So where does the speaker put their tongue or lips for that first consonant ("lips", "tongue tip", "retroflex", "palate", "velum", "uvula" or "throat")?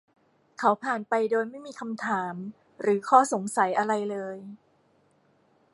velum